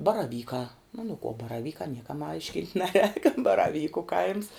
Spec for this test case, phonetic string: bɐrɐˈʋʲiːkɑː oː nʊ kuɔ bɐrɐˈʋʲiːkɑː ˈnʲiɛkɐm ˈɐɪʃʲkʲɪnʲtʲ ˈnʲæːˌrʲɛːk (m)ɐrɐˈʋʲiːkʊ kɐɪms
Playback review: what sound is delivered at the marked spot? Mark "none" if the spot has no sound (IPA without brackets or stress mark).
b